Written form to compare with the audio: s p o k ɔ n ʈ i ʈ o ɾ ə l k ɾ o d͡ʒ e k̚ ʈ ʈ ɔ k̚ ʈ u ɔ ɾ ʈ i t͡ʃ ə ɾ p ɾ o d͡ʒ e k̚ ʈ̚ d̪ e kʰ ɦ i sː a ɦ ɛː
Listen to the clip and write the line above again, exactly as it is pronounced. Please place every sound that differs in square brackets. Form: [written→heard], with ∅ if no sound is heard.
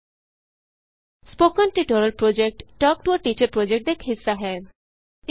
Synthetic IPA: s p o k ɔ n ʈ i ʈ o ɾ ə l [k→p] ɾ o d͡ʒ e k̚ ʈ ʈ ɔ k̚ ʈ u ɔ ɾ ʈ i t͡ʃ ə ɾ p ɾ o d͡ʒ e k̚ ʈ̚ d̪ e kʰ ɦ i sː a ɦ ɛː